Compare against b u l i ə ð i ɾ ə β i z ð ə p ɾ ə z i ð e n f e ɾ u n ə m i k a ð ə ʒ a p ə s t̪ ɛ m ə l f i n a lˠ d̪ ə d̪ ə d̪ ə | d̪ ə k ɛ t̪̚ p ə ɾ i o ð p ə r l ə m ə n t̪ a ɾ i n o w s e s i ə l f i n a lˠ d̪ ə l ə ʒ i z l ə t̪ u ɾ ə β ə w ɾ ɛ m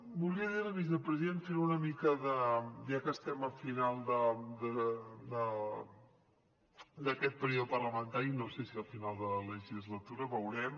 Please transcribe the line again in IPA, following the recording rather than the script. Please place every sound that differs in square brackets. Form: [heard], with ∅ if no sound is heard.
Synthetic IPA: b u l i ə ð i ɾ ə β i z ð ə p ɾ ə z i ð e n f e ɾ u n ə m i k [ə] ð ə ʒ a [k] ə s t̪ ɛ m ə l f i n a lˠ d̪ ə d̪ ə d̪ ə | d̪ ə k ɛ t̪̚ p ə ɾ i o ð p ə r l ə m ə n t̪ a ɾ i n o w s e s i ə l f i n a lˠ d̪ ə l ə ʒ i z l ə t̪ u ɾ ə β ə w ɾ ɛ m